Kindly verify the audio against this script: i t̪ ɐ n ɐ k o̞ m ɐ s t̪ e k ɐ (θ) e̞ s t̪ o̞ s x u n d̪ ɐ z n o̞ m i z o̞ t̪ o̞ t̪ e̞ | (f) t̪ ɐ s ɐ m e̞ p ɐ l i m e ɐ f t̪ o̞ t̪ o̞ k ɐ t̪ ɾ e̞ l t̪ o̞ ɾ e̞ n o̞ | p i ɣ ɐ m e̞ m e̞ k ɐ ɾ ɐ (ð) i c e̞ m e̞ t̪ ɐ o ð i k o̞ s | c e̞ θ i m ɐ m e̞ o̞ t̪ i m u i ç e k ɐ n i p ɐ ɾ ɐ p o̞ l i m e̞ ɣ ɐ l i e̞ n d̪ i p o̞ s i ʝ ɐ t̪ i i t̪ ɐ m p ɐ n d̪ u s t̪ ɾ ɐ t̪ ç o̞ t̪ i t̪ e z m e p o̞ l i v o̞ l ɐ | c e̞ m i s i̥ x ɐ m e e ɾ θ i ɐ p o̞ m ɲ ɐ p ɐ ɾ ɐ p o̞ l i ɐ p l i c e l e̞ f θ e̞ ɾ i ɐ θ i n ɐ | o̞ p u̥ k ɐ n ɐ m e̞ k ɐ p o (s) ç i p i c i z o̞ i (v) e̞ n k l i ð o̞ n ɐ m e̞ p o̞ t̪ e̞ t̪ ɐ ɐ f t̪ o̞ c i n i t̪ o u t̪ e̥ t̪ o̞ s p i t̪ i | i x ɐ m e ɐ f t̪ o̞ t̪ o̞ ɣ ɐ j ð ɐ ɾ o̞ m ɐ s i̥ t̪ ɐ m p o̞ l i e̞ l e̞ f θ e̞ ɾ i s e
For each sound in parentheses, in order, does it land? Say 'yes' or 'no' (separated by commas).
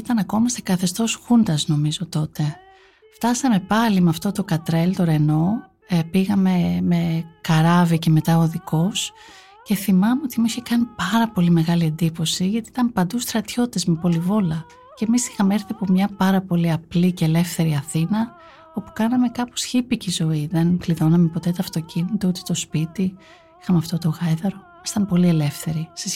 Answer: yes, yes, no, yes, no